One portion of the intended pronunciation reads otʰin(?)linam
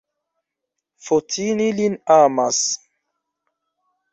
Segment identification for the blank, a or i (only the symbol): i